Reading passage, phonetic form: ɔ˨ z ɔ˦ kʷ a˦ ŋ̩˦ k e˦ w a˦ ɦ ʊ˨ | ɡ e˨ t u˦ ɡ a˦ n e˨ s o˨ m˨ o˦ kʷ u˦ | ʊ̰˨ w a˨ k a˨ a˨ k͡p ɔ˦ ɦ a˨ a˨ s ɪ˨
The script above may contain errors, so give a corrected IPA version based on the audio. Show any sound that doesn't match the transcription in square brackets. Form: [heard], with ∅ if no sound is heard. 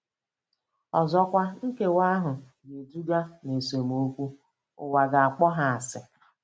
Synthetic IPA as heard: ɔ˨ z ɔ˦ kʷ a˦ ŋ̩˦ k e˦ w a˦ ɦ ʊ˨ | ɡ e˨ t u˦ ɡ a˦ n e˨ s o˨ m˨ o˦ kʷ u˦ | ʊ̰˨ w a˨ [ɡ] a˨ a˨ k͡p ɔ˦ ɦ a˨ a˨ s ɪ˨

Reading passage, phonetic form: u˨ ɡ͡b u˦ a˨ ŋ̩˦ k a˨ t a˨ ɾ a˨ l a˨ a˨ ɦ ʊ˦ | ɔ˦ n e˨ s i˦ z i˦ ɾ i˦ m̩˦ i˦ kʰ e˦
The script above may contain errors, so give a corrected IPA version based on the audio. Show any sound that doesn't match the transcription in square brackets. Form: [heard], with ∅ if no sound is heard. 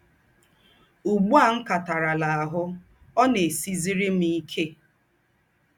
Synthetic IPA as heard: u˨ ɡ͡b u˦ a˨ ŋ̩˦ k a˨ t a˨ ɾ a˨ l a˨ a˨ ɦ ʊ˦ | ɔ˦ n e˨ s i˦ z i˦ ɾ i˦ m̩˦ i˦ kʰ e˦

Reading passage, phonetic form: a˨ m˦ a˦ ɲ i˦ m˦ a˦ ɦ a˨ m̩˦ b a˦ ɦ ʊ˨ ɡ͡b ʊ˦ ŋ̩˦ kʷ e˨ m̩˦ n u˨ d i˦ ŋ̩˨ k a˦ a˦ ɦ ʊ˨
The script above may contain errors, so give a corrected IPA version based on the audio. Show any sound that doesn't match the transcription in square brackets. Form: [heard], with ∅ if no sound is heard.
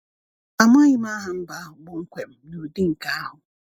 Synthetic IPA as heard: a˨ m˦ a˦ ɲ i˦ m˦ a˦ ɦ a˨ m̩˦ b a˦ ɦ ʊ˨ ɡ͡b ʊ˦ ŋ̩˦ kʷ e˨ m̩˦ n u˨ d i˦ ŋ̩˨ k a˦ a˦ ɦ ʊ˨

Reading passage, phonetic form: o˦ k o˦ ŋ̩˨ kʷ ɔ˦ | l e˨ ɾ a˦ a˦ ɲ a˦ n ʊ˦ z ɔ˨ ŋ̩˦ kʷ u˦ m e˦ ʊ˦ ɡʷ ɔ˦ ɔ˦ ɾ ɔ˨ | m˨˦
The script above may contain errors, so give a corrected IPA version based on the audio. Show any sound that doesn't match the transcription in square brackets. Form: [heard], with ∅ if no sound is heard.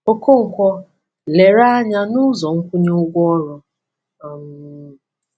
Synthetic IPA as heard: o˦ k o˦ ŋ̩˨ kʷ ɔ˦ | l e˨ ɾ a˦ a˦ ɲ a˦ n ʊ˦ z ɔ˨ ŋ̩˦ kʷ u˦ [ɲ] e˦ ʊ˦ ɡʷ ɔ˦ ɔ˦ ɾ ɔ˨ | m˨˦

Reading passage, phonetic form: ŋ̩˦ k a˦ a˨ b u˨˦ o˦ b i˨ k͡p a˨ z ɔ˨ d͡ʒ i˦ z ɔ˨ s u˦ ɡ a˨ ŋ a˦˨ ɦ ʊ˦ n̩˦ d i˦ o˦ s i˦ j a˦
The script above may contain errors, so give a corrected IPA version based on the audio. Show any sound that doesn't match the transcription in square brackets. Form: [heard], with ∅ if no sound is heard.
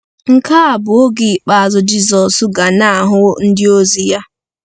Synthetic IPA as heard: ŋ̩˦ k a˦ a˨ b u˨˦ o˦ [ɡ] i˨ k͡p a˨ z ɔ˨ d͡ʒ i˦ z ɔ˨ s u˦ ɡ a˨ [n] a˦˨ ɦ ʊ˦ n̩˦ d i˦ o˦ [z] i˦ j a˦

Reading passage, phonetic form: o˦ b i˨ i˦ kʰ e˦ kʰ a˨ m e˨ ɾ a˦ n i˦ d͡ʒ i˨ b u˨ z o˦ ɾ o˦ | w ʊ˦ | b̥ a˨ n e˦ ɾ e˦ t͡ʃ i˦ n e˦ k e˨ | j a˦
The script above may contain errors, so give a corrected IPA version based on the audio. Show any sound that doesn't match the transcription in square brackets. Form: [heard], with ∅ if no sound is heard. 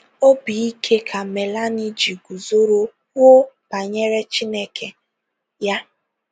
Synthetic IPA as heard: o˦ b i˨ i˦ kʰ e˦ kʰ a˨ m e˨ [l] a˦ n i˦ d͡ʒ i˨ [ɡ] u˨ z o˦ ɾ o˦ | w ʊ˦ | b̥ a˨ [ɲ] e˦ ɾ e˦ t͡ʃ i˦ n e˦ k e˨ | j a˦

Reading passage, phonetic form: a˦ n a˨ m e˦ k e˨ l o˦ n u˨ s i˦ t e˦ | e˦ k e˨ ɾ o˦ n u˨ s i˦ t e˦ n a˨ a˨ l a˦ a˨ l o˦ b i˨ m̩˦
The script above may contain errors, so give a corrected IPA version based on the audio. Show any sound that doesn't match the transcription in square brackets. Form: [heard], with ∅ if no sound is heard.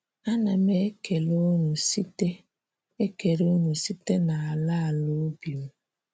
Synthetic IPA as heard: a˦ n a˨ m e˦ k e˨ l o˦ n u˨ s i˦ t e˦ | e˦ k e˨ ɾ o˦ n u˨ s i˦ t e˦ n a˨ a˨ l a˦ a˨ l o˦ b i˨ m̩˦

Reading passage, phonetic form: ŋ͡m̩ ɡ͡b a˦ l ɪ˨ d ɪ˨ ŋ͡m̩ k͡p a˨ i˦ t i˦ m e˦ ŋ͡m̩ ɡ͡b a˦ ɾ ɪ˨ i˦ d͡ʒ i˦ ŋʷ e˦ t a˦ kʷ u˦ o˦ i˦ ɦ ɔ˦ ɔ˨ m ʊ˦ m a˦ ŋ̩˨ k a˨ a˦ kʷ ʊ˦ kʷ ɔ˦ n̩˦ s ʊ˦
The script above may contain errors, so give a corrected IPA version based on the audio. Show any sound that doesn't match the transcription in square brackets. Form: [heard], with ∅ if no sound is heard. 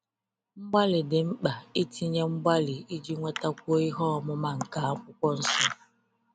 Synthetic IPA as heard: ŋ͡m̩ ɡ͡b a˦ l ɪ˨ d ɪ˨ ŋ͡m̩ k͡p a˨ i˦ t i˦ [ɲ] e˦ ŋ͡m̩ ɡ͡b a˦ [l] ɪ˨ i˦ d͡ʒ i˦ ŋʷ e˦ t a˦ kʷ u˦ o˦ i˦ ɦ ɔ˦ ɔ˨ m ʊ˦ m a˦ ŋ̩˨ k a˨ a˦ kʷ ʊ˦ kʷ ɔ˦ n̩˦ s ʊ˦

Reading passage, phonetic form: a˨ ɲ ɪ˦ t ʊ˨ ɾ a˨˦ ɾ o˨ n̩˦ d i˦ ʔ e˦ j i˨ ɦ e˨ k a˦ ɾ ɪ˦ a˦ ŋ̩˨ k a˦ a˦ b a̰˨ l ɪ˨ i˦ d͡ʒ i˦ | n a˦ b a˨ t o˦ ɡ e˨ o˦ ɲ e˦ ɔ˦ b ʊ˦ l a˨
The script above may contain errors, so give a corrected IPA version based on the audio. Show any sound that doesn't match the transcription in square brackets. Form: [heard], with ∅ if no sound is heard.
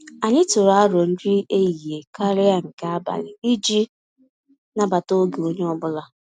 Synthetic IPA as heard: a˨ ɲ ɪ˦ t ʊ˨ ɾ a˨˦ ɾ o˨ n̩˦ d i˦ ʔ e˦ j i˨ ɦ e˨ k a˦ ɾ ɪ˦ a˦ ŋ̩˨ k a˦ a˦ b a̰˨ l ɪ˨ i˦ d͡ʒ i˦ | n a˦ b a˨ t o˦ ɡ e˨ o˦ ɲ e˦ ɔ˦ b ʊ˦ l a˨

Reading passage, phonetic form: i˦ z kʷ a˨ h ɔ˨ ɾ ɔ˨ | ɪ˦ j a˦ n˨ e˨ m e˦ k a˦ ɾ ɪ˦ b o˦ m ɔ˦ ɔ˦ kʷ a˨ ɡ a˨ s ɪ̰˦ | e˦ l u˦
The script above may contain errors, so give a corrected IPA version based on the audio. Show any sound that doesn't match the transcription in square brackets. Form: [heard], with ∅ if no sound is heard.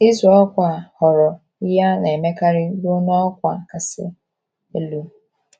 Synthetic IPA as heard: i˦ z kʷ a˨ h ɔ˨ ɾ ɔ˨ | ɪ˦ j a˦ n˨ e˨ m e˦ k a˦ ɾ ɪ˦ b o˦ [n] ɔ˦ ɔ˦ kʷ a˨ [k] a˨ s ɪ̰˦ | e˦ l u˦

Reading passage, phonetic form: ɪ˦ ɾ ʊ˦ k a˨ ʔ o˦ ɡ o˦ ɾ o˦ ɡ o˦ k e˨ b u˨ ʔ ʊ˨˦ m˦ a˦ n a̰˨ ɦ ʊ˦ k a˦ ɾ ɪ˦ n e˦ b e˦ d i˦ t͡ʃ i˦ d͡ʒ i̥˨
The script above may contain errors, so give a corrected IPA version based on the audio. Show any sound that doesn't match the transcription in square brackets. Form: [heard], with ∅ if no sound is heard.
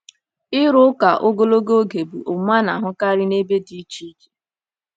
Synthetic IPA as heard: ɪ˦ ɾ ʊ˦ k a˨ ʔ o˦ ɡ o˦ [l] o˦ ɡ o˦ [ɡ] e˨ b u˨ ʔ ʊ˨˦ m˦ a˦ n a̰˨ ɦ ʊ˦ k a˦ ɾ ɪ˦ n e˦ b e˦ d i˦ t͡ʃ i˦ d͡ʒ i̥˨

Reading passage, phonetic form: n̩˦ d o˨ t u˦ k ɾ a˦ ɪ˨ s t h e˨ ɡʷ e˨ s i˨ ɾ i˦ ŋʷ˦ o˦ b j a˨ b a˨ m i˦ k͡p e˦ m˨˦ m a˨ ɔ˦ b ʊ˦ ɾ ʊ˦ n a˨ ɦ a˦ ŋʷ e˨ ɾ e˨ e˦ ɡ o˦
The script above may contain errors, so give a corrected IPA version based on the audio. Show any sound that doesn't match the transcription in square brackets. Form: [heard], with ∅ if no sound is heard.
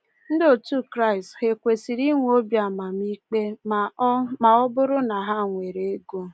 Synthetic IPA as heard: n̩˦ d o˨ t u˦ k ɾ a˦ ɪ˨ s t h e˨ [kʷ] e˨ s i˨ ɾ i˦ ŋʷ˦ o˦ b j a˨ [m] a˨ m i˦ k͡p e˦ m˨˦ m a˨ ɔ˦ b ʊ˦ ɾ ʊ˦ n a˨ ɦ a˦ ŋʷ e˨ ɾ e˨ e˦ ɡ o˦

